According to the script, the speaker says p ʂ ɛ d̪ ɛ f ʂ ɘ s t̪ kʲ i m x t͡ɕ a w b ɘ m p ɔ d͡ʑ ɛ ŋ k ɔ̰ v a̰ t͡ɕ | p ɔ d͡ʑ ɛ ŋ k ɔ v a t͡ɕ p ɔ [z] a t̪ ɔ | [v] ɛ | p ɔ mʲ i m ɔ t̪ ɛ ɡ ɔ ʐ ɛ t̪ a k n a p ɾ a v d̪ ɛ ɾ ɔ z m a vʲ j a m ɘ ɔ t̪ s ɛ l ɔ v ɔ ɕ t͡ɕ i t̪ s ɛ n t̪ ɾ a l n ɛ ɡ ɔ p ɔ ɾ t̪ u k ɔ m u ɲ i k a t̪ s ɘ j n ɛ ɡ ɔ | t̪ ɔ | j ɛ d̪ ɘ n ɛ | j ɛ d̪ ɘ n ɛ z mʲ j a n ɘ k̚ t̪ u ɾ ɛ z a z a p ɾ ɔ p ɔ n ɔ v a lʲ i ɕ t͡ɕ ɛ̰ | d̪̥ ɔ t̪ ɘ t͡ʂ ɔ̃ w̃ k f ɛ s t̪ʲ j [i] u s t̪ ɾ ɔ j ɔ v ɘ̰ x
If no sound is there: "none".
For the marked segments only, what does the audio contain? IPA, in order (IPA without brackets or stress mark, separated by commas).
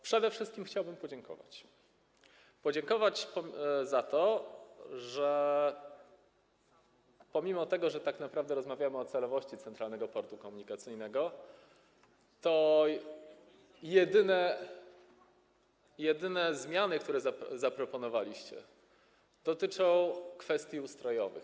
z, ʐ, i